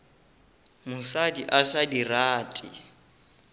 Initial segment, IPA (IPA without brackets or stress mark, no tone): m